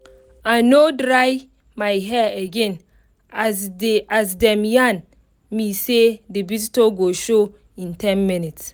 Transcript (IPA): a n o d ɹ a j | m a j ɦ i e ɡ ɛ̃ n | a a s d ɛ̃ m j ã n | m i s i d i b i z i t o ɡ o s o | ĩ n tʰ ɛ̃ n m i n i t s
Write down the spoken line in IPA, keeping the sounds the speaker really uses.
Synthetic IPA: a n o d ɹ a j | m a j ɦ ɛ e ɡ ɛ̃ n | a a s d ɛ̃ m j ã n | m i s e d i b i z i t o ɡ o ʃ o | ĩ n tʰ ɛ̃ n m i n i t s